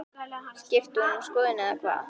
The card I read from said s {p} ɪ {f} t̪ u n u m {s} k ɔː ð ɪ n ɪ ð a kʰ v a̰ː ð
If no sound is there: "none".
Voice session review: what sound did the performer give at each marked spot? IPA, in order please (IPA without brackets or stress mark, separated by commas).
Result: c, f, s